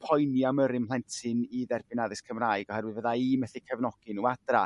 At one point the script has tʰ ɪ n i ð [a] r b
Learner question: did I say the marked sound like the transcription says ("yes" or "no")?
no